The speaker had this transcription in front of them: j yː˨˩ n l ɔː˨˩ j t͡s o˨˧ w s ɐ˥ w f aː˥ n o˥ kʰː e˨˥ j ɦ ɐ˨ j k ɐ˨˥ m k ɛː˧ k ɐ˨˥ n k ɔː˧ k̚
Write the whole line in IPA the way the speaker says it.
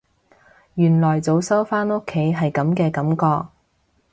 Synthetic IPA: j yː˨˩ n l ɔː˨˩ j t͡s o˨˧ w s ɐ˥ w f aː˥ n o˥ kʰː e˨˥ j ɦ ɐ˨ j k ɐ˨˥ m k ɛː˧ k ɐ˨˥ m k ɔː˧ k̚